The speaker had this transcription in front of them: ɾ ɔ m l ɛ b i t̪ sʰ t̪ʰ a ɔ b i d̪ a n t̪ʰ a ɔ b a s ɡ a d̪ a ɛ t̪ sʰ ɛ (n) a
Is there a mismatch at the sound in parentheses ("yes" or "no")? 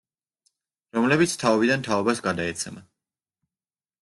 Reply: yes